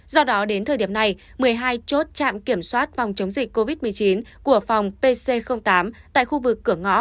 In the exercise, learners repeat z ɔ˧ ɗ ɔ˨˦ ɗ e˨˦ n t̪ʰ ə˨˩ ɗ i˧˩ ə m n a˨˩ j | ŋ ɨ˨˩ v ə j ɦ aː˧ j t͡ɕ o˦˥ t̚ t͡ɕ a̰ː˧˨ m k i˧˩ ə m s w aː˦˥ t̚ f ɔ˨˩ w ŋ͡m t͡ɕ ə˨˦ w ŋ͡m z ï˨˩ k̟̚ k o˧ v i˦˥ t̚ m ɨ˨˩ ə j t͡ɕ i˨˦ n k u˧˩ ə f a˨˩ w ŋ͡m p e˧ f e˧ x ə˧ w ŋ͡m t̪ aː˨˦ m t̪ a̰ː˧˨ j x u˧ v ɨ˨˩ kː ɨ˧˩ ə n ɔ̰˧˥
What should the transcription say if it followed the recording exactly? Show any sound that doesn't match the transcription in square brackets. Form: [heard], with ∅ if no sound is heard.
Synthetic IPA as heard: z ɔ˧ ɗ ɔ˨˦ ɗ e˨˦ n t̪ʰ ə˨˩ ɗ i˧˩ ə m n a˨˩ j | [m] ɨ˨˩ [∅] ə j ɦ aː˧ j t͡ɕ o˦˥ t̚ t͡ɕ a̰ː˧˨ m k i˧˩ ə m s w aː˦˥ t̚ f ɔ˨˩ w ŋ͡m t͡ɕ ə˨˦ w ŋ͡m z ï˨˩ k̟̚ k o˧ v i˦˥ t̚ m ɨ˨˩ ə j t͡ɕ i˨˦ n k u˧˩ ə f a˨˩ w ŋ͡m p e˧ [s] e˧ x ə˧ w ŋ͡m t̪ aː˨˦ m t̪ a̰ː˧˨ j x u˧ v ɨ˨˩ kː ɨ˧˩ ə [ŋ] ɔ̰˧˥